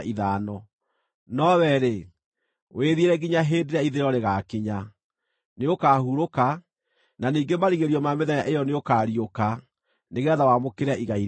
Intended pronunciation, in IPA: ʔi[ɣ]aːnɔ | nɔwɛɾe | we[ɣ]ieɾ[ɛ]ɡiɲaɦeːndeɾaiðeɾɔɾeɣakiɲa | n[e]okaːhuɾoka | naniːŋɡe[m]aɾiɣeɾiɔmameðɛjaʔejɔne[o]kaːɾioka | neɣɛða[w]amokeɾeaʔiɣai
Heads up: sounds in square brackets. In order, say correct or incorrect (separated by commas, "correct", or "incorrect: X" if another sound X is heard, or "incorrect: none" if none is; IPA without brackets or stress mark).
incorrect: ð, incorrect: ð, correct, correct, correct, correct, correct